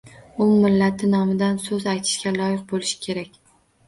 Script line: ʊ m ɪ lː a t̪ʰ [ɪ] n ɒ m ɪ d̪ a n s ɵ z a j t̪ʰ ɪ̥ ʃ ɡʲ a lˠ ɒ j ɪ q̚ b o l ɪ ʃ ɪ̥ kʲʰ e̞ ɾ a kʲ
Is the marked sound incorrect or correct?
correct